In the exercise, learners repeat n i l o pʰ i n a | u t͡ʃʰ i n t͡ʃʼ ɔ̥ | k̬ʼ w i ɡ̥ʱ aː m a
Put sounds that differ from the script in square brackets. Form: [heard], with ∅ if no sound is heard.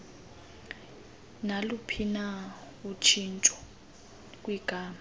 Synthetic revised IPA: n [a] l [u] pʰ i n a | u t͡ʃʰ i n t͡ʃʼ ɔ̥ | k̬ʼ w i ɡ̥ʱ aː m a